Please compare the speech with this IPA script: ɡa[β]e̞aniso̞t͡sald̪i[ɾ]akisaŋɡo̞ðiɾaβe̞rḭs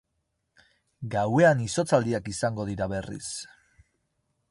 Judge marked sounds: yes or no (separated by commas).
no, no